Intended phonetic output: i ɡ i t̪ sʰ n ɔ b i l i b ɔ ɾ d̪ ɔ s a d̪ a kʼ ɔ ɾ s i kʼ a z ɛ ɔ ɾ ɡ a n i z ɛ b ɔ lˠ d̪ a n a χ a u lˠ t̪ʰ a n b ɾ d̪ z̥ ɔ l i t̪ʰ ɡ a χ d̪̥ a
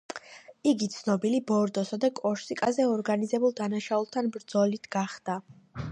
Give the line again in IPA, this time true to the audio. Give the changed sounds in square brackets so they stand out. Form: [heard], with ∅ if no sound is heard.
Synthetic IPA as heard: i ɡ i t̪ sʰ n ɔ b i l i b ɔ ɾ d̪ ɔ s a d̪ a kʼ ɔ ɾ s i kʼ a z ɛ ɔ ɾ ɡ a n i z ɛ b [u] lˠ d̪ a n a [ʃ] a u lˠ t̪ʰ a n b ɾ d̪ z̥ ɔ l i t̪ʰ ɡ a χ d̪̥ a